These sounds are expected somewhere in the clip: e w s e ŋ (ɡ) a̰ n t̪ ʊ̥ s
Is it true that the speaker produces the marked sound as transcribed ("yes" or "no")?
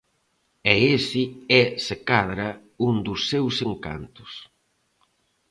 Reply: no